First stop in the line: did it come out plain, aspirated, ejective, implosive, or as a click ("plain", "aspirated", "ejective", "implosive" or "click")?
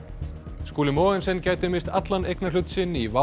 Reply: plain